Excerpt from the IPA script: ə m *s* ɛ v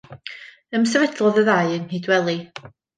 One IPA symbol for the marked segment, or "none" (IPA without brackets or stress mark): s